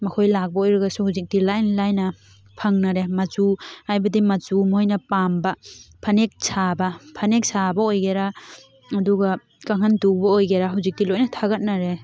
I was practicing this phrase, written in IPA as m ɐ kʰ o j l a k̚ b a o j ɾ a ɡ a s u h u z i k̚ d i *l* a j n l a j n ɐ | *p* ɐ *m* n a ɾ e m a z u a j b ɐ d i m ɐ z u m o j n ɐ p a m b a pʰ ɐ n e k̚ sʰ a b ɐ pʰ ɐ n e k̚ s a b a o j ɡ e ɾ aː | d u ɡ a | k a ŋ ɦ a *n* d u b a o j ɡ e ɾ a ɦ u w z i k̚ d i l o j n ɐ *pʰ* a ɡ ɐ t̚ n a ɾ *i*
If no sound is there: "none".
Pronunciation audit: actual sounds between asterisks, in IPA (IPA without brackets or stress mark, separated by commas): l, pʰ, ŋ, n, tʰ, e